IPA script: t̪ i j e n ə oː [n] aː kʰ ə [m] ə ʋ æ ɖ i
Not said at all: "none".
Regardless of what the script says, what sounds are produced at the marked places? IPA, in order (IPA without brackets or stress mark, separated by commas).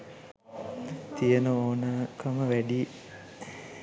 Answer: n, m